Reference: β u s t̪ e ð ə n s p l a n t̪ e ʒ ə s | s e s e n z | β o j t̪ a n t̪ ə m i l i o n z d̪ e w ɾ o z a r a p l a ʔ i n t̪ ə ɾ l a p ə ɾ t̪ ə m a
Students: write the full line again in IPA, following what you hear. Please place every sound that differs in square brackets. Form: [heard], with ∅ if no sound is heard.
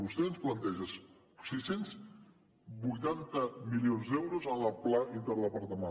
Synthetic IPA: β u s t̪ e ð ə n s p l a n t̪ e ʒ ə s | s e s e n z | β [u] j t̪ a n t̪ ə m i l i o n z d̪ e w ɾ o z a [l] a p l a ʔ i n t̪ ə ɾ l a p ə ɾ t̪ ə m a